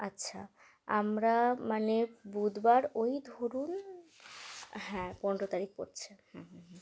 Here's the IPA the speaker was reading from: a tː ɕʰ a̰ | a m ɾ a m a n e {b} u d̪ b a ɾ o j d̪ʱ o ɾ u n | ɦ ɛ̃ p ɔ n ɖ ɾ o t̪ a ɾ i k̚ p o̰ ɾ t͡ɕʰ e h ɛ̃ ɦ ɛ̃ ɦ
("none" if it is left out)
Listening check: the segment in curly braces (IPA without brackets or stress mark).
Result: b